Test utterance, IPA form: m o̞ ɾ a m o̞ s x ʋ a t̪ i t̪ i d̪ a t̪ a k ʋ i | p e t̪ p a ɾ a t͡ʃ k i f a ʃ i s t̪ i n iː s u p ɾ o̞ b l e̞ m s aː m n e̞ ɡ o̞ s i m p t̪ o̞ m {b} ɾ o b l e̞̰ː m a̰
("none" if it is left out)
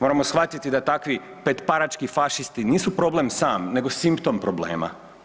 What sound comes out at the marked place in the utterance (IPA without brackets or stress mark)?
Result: p